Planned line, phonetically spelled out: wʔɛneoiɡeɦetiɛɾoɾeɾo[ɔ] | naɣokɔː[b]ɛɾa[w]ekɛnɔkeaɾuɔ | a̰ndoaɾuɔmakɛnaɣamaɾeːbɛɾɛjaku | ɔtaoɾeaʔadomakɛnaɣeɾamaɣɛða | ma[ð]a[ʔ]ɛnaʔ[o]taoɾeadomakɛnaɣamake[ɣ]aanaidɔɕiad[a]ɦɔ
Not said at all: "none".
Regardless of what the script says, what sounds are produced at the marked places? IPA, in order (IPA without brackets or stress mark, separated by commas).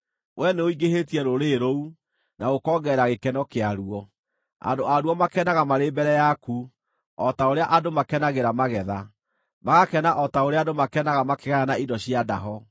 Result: u, ɡ, ɣ, ɣ, k, ɔ, ɣ, a